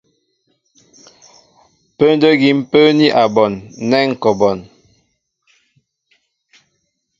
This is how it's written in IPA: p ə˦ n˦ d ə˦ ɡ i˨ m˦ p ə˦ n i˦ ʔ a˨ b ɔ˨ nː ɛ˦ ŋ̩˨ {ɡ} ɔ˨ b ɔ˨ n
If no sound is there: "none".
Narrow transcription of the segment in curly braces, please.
k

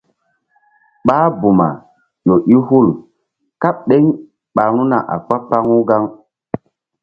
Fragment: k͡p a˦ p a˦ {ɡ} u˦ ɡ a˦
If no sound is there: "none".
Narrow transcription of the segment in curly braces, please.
ŋ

